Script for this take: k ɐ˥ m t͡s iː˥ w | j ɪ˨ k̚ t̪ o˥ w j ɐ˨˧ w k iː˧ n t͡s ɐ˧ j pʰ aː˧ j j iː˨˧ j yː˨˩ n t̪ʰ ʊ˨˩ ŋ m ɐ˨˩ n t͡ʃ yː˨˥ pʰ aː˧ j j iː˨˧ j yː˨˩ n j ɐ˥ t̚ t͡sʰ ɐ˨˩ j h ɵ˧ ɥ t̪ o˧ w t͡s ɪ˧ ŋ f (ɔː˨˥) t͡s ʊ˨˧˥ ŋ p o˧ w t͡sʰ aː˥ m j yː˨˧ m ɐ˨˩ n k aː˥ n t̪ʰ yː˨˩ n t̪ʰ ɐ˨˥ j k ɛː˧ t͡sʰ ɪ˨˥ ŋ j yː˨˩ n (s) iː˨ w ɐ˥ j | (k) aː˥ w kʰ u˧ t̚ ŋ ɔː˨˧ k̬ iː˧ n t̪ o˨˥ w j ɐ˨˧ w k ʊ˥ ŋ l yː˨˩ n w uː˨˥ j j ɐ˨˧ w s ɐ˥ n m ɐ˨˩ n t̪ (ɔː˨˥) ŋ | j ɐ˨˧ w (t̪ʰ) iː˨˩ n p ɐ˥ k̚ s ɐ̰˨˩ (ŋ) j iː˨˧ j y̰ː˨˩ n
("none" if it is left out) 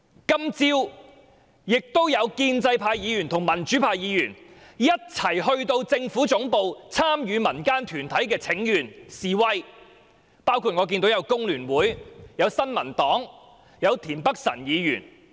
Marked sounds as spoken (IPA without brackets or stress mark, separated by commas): uː˨˥, s, p, ɔː˨˥, t̪ʰ, n